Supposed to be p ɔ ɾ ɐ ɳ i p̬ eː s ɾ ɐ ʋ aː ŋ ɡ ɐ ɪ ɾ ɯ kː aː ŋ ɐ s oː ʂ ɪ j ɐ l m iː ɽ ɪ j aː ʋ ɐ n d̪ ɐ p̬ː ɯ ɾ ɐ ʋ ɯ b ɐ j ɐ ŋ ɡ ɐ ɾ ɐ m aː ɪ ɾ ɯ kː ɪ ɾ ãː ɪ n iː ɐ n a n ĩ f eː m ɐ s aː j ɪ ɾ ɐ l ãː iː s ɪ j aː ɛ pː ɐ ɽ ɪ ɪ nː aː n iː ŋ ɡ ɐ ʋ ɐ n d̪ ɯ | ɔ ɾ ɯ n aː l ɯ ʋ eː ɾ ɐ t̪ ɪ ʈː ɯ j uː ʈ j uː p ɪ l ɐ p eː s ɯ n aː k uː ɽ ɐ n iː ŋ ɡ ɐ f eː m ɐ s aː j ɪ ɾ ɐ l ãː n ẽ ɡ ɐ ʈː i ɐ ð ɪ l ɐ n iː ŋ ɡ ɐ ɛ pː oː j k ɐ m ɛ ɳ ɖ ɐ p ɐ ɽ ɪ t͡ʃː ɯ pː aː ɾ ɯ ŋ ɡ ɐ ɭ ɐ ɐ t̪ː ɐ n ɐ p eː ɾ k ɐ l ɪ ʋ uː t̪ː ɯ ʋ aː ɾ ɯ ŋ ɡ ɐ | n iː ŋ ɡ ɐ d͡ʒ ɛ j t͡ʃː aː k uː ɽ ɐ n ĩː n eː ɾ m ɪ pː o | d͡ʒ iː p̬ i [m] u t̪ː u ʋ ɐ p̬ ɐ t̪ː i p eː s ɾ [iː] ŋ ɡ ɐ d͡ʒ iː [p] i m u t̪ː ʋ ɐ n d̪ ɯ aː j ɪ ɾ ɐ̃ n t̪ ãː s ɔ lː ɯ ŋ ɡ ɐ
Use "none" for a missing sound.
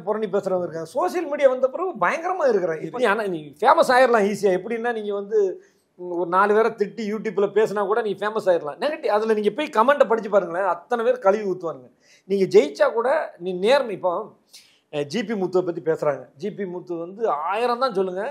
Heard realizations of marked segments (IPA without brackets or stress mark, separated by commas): m, aː, p